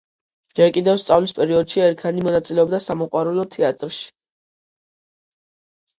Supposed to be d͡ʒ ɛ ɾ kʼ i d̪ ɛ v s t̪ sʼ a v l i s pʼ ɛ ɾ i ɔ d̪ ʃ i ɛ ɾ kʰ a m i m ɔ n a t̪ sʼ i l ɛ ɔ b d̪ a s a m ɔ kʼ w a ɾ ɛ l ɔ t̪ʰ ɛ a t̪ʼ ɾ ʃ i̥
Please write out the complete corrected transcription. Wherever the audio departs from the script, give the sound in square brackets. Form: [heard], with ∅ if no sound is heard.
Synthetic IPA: d͡ʒ ɛ ɾ kʼ i d̪ ɛ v s t̪ sʼ a v l i s pʼ ɛ ɾ i ɔ d̪ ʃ i ɛ ɾ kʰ a [n] i m ɔ n a t̪ sʼ i l ɛ ɔ b d̪ a s a m ɔ [qʼ] w a ɾ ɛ l ɔ t̪ʰ ɛ a t̪ʼ ɾ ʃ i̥